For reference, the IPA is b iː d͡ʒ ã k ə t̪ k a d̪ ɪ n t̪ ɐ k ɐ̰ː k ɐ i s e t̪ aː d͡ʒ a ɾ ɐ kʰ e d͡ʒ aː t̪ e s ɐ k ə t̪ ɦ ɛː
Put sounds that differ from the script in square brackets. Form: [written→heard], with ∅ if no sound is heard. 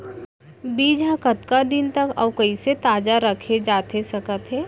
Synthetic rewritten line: b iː d͡ʒ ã k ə t̪ k a d̪ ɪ n t̪ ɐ k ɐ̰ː k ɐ i s e t̪ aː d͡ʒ a ɾ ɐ kʰ e d͡ʒ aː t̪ e s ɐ k ə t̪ ɦ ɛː